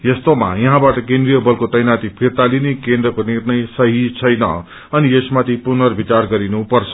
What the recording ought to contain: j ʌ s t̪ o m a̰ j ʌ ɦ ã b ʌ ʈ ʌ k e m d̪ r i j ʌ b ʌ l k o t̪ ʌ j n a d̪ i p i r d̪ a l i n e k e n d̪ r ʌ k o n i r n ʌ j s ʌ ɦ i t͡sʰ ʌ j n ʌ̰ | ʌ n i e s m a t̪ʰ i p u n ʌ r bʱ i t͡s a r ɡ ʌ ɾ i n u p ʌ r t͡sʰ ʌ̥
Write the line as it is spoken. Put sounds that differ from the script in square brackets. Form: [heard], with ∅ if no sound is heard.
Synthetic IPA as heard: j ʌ s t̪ o m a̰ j ʌ ɦ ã b [a] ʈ ʌ k e [n] d̪ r i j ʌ b ʌ l k o t̪ ʌ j n a [t̪] i [pʰ] i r [t̪] a l i n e k e n d̪ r ʌ k o n i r n ʌ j s ʌ ɦ i t͡sʰ ʌ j n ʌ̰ | ʌ n i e s m a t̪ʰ i p u n ʌ r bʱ i t͡s a r ɡ ʌ ɾ i n u p ʌ r t͡sʰ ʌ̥

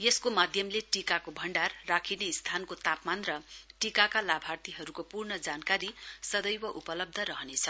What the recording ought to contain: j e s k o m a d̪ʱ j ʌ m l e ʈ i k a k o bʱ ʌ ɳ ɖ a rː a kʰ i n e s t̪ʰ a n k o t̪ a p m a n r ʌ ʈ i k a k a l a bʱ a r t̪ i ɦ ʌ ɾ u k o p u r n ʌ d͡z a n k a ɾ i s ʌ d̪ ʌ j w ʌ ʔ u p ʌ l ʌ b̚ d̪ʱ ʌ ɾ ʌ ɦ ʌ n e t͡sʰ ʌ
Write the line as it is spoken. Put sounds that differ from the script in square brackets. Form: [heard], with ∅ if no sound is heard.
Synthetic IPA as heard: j e s k o m a d̪ʱ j ʌ m l e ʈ i k a k o bʱ ʌ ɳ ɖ a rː a kʰ i n e s t̪ʰ a n k o t̪ a p m a n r ʌ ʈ i k a k a l a bʱ a r t̪ i ɦ ʌ ɾ u k o p u r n ʌ d͡z a n k a ɾ i s ʌ d̪ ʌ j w ʌ ʔ u p ʌ l ʌ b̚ d̪ʱ ʌ ɾ ʌ ɦ ʌ n e t͡sʰ ʌ

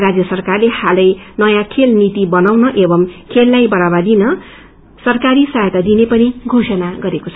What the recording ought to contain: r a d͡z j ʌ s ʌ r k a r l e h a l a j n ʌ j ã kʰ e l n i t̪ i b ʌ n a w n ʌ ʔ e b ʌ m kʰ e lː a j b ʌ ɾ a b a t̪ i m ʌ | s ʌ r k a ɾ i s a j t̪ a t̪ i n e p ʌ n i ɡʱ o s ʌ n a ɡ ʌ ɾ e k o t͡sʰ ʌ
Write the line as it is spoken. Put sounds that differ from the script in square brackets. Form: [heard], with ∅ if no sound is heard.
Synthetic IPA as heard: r a d͡z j ʌ s ʌ r k a r l e h a l [ʌ] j n ʌ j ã kʰ e l n i t̪ i b ʌ n a w n ʌ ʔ e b ʌ m kʰ e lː a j b ʌ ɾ a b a [d̪] i [n] ʌ | s ʌ r k a ɾ i s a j t̪ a [d̪] i n e p ʌ n i ɡʱ o s ʌ n a ɡ ʌ ɾ e k o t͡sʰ ʌ

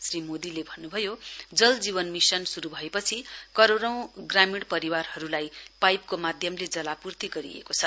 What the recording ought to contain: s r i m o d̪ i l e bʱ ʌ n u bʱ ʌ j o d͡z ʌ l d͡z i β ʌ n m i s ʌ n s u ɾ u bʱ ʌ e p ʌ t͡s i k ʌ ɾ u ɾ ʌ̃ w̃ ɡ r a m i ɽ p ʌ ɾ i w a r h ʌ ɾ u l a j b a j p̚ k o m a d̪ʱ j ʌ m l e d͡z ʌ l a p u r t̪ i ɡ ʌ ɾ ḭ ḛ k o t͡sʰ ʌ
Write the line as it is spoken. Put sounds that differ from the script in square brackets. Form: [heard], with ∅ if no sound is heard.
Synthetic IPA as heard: s r i m o d̪ i l e bʱ ʌ [nː] u bʱ ʌ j o d͡z ʌ l d͡z i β ʌ n m i s ʌ n s u ɾ u bʱ ʌ e p ʌ [t͡sʰ] i k ʌ ɾ [o] ɾ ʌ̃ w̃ ɡ r a m i ɽ p ʌ ɾ i w a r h ʌ ɾ u l a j [p] a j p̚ k o m a d̪ʱ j ʌ m l e d͡z ʌ l a p u r t̪ i ɡ ʌ ɾ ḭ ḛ k o t͡sʰ ʌ

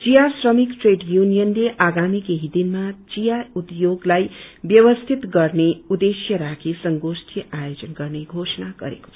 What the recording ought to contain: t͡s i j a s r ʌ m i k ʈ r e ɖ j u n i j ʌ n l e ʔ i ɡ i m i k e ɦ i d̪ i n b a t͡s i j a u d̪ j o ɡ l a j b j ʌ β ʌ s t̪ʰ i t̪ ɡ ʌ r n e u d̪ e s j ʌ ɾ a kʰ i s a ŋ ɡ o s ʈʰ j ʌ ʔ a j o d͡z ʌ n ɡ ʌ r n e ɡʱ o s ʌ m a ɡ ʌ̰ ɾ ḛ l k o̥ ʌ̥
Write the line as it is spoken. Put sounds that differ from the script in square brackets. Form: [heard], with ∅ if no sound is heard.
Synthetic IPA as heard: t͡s i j a s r ʌ m i k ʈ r e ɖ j u n i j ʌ n l e ʔ [a] ɡ [a] m i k e ɦ i d̪ i n [m] a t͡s i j a u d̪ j o ɡ l a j b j ʌ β ʌ s t̪ʰ i t̪ ɡ ʌ r n e u d̪ e s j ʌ ɾ a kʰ i s [ʌ] ŋ ɡ o s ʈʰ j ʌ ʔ a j o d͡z ʌ n ɡ ʌ r n e ɡʱ o s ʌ [n] a ɡ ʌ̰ ɾ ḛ [∅] k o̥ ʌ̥

